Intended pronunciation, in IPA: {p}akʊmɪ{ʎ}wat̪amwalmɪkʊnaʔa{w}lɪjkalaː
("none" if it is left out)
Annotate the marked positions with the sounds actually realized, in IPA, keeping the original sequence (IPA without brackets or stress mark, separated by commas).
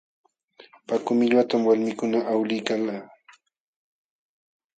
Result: p, ʎ, w